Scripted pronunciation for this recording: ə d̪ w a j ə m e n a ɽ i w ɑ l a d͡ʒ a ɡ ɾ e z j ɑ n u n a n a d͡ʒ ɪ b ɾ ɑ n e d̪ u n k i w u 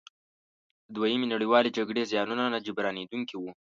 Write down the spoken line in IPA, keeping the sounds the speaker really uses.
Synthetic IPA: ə d̪ w a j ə m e n a ɽ i w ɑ l e d͡ʒ a ɡ ɽ e z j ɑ n u n a n a d͡ʒ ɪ b ɾ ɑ n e d̪ u ŋ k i w u